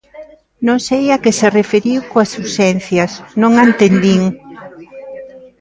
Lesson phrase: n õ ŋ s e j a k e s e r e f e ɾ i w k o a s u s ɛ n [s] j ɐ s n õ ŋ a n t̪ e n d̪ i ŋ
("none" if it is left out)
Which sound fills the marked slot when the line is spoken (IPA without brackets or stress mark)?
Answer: θ